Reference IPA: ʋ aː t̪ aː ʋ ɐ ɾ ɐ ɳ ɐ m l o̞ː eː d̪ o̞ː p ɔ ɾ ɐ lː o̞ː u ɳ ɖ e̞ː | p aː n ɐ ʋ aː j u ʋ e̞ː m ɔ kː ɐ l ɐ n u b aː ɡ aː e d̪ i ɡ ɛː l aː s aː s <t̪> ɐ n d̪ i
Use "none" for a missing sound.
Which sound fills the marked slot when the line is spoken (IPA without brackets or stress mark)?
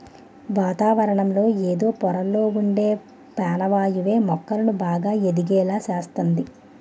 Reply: t̪